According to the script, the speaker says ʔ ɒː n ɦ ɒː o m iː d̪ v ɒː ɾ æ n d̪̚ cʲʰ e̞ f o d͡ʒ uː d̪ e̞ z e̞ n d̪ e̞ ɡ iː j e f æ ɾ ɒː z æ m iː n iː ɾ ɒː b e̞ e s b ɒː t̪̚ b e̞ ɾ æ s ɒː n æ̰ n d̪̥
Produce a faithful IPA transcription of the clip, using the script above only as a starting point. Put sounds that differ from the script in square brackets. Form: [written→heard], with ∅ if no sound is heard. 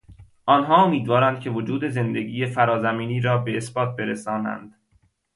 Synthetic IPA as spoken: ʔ ɒː n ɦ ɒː o m iː d̪ v ɒː ɾ æ n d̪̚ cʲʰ e̞ [f→v] o d͡ʒ uː d̪ e̞ z e̞ n d̪ e̞ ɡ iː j e f æ ɾ ɒː z æ m iː n iː ɾ ɒː b e̞ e s b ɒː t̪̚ b e̞ ɾ [æ→e] s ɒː n æ̰ n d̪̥